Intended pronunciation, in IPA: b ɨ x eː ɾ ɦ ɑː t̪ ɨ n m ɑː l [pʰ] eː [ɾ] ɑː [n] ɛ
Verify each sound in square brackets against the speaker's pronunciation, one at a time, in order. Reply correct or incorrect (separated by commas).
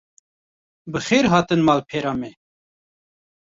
correct, correct, incorrect